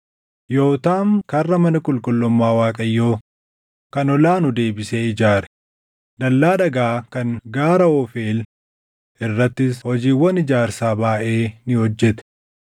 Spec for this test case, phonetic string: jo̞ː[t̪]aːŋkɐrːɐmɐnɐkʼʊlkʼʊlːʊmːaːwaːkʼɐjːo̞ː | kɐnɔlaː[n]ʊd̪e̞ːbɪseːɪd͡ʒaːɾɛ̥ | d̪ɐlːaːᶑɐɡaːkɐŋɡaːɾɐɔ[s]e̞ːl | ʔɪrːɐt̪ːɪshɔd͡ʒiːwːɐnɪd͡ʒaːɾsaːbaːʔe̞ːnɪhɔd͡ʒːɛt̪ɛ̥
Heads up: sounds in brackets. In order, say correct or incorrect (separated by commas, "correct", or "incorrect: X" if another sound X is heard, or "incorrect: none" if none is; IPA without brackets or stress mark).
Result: correct, correct, incorrect: f